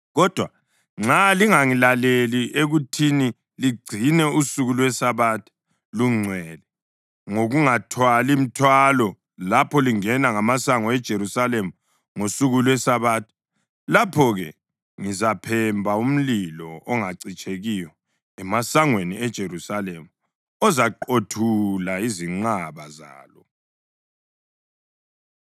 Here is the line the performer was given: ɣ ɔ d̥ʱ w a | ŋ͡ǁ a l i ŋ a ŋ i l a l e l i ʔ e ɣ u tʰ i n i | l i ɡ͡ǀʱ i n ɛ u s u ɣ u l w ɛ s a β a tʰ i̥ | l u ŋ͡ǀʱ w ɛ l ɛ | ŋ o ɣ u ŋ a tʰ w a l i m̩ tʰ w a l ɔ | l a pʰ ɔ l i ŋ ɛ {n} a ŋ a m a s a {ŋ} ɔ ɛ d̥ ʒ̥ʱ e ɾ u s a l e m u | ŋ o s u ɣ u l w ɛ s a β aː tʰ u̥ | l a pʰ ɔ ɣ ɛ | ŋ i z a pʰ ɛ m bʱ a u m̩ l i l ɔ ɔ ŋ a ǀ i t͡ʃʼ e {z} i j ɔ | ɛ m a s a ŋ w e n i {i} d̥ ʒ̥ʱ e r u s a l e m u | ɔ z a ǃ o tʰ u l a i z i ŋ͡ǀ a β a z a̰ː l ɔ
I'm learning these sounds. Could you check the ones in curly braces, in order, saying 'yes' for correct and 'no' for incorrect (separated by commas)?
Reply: yes, yes, no, no